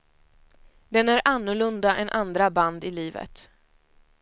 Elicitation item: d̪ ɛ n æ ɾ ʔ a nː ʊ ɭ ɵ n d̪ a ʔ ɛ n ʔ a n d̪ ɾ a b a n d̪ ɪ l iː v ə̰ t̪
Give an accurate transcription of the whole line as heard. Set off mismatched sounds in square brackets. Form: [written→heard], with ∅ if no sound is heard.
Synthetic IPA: d̪ ɛ n æ ɾ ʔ a nː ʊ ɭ ɵ n d̪ a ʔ ɛ n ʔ a n d̪ ɾ a b a n d̪ ɪ l iː v ə̰ t̪